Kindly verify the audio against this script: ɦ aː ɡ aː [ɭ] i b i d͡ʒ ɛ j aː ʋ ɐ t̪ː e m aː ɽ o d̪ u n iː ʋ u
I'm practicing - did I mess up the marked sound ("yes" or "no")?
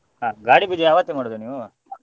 yes